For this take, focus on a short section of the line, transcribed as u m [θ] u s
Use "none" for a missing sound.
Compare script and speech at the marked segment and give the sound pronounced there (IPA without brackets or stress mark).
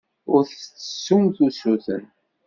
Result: θ